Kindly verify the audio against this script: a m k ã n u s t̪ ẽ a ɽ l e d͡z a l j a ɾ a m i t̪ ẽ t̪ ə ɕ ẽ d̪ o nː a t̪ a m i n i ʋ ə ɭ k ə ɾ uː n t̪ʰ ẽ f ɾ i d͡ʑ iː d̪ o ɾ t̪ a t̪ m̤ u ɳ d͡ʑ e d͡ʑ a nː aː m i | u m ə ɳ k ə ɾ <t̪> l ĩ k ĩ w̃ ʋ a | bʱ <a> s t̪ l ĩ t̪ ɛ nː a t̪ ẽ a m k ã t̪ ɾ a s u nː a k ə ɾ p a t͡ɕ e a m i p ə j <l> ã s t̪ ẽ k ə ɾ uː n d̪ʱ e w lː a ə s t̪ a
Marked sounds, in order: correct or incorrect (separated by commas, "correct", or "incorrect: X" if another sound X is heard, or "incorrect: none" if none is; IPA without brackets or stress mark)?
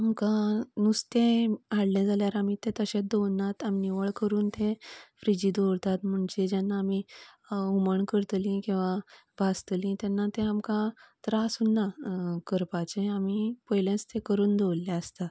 correct, correct, correct